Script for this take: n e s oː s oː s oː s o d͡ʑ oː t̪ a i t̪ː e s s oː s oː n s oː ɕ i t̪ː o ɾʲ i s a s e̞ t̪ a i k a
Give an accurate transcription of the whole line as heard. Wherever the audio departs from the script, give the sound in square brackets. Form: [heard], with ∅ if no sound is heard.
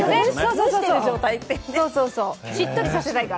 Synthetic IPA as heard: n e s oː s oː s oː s o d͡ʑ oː t̪ a i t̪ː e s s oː s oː [∅] s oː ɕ i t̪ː o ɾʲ i s a s e̞ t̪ a i k a

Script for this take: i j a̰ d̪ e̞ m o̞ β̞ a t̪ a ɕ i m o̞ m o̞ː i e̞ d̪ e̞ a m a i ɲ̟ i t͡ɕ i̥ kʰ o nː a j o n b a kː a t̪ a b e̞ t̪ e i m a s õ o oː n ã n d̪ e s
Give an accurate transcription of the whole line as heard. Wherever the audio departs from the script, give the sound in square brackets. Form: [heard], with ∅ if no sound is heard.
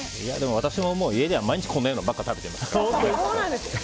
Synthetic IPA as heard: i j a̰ d̪ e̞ m o̞ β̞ a t̪ a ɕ i m o̞ m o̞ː i e̞ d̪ e̞ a m a i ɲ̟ i t͡ɕ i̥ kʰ o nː a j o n b a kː a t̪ a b e̞ t̪ e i m a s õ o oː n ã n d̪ e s

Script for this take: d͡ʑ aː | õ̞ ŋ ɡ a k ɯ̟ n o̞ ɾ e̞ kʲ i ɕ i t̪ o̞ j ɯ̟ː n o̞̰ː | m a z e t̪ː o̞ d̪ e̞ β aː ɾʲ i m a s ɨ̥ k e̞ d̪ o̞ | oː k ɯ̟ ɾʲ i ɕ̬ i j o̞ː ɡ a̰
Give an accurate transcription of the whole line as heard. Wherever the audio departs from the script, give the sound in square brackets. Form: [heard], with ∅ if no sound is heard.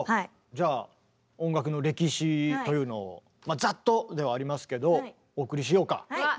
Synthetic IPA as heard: d͡ʑ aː | õ̞ ŋ ɡ a k ɯ̟ n o̞ ɾ e̞ kʲ i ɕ i t̪ o̞ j ɯ̟ː n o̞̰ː | m a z [a] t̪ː o̞ d̪ e̞ β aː ɾʲ i m a s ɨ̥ k e̞ d̪ o̞ | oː k ɯ̟ ɾʲ i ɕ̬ i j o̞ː [k] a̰

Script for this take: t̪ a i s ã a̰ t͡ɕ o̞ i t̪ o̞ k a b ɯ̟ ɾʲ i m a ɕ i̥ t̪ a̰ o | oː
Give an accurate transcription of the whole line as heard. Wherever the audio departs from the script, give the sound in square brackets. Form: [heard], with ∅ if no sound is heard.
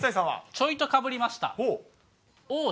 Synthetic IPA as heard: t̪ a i s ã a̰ t͡ɕ o̞ i t̪ o̞ k a b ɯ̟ ɾʲ i m a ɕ i̥ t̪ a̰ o | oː

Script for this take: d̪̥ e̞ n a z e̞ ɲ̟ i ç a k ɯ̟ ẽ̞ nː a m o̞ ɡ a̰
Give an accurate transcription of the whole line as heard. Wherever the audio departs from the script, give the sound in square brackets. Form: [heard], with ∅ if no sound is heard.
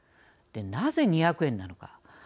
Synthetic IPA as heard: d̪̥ e̞ n a z e̞ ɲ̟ i ç a k ɯ̟ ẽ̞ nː a [n] o̞ [k] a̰

